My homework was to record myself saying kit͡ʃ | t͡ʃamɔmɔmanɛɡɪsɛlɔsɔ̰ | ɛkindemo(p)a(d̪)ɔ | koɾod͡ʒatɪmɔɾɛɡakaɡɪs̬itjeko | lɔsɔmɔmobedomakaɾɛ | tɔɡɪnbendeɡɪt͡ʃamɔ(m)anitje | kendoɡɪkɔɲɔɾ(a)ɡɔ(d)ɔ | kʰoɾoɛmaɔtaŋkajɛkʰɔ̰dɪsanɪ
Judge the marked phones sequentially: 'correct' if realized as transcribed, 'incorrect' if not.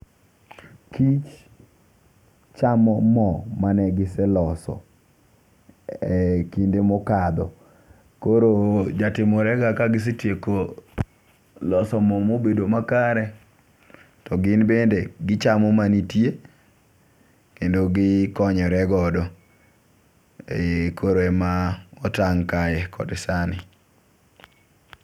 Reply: incorrect, correct, correct, incorrect, correct

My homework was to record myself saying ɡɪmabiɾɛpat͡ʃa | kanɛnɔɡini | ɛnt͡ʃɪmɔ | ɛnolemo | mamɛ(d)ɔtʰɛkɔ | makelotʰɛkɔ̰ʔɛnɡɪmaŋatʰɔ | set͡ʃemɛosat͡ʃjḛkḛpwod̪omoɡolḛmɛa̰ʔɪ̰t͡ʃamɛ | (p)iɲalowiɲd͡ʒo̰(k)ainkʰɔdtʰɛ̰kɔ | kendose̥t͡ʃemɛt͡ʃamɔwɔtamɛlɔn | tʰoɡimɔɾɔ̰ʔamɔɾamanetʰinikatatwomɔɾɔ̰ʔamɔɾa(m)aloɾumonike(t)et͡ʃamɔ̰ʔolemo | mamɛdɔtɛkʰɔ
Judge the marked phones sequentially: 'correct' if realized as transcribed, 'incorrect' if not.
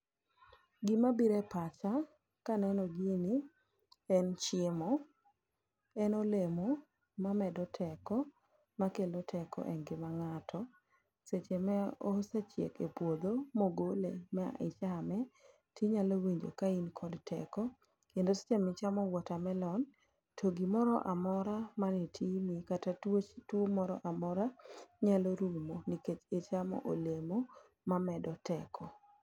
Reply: correct, incorrect, correct, incorrect, incorrect

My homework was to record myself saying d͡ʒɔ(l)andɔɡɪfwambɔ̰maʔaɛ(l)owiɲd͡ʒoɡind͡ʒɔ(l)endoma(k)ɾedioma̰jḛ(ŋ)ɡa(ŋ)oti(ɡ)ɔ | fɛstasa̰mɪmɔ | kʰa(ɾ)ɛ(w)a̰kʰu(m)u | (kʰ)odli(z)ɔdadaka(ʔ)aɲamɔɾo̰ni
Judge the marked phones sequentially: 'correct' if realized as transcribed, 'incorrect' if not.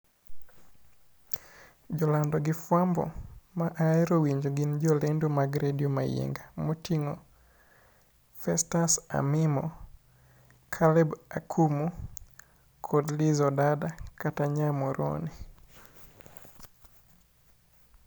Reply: correct, incorrect, correct, incorrect, correct, incorrect, incorrect, incorrect, incorrect, correct, correct, correct, incorrect

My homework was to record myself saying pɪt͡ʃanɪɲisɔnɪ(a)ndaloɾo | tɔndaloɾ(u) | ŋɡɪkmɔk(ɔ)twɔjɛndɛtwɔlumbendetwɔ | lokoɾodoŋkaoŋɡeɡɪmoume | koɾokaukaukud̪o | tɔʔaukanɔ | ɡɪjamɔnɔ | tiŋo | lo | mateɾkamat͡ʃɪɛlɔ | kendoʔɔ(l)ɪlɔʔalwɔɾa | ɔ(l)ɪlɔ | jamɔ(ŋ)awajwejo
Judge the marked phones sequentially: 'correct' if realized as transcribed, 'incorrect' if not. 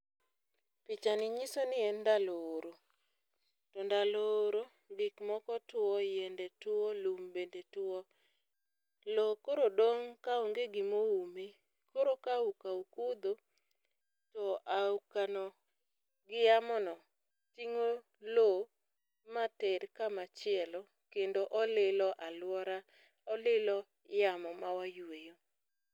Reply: incorrect, incorrect, correct, correct, correct, incorrect

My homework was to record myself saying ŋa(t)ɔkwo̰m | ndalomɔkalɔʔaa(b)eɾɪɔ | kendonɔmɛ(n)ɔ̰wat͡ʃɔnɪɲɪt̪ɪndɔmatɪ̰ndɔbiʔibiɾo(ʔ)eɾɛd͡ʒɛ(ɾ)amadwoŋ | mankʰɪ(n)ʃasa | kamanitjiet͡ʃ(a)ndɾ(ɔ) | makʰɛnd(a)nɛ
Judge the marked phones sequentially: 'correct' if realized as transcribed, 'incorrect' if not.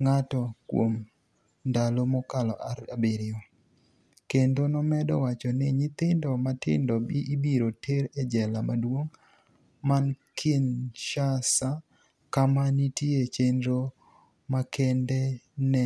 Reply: correct, correct, incorrect, incorrect, incorrect, correct, incorrect, incorrect, incorrect

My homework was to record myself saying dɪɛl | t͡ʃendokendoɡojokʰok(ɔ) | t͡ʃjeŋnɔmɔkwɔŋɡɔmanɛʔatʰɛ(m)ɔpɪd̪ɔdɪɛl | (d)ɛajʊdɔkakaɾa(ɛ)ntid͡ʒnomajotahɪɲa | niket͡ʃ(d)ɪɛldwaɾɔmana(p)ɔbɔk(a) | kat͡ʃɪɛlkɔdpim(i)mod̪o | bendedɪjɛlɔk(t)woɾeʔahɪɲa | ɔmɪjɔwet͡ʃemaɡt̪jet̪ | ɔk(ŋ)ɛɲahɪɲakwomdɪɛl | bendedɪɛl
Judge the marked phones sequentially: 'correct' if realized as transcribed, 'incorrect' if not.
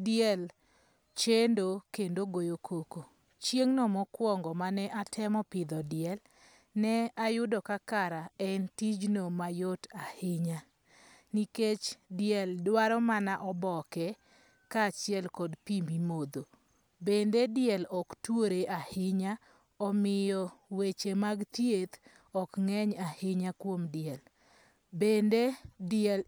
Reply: incorrect, correct, incorrect, correct, correct, incorrect, incorrect, correct, correct, correct

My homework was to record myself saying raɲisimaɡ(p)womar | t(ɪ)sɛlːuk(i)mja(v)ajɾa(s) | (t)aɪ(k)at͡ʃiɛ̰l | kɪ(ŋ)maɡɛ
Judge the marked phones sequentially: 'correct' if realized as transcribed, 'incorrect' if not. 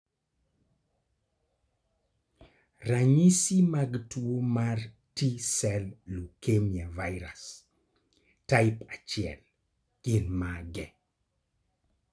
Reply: incorrect, incorrect, incorrect, correct, correct, correct, incorrect, incorrect

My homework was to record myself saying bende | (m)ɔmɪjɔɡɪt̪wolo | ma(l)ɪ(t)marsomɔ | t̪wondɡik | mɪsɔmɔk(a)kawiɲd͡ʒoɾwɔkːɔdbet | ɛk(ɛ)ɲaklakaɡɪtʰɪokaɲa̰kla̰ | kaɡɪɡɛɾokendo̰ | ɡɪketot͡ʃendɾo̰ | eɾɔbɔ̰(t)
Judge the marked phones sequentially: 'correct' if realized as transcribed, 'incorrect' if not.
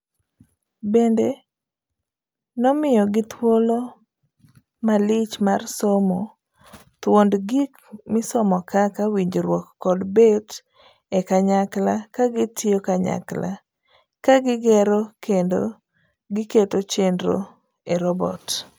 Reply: incorrect, correct, incorrect, correct, incorrect, correct

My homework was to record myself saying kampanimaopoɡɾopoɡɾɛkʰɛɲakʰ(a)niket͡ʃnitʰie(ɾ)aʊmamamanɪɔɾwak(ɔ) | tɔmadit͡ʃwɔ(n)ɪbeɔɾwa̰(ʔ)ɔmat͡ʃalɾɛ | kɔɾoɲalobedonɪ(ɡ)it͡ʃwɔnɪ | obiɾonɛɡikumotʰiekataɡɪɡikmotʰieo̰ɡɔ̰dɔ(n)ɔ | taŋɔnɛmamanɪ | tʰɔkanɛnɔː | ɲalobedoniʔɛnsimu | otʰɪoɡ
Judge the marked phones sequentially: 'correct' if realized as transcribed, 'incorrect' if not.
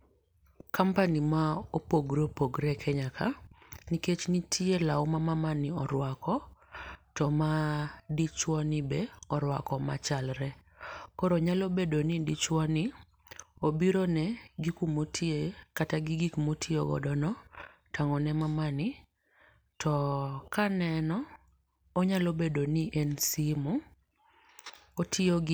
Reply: correct, incorrect, correct, correct, incorrect, incorrect, correct

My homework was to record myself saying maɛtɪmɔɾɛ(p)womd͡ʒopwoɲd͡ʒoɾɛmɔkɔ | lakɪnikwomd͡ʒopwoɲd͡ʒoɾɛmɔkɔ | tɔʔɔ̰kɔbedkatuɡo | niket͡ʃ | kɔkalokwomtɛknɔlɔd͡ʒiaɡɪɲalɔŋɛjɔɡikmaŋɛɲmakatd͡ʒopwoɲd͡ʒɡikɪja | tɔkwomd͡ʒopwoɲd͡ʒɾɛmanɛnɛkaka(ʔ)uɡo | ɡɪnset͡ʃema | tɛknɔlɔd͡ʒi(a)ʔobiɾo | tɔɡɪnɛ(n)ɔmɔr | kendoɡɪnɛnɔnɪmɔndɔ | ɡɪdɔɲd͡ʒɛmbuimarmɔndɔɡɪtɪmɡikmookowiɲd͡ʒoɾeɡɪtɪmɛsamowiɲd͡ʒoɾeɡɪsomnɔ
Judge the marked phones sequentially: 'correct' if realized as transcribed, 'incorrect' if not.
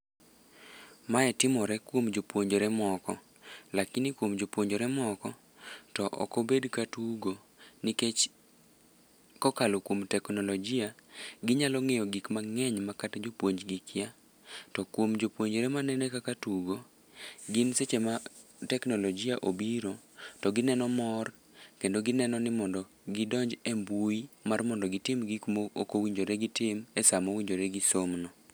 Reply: incorrect, incorrect, correct, correct

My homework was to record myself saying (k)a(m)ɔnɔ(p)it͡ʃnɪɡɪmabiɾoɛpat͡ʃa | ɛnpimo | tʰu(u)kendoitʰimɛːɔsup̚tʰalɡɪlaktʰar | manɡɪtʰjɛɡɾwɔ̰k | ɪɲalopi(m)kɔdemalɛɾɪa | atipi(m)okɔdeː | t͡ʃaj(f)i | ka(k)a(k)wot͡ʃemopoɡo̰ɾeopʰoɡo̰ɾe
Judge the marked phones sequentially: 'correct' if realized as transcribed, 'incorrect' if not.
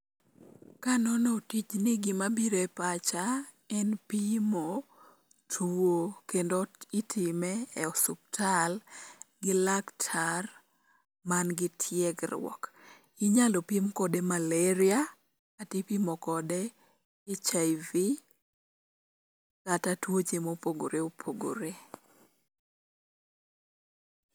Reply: correct, incorrect, incorrect, incorrect, correct, correct, incorrect, incorrect, incorrect

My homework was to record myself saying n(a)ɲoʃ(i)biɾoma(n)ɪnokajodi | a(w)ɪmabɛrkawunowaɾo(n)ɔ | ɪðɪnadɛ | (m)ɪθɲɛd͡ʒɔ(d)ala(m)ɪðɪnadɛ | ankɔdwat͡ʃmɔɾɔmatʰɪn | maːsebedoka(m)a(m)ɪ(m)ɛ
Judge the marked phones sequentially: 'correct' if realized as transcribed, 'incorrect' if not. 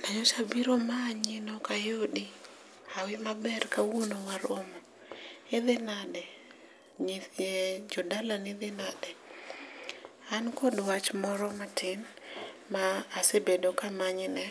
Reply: correct, incorrect, incorrect, correct, incorrect, incorrect, correct, incorrect, correct, incorrect, incorrect

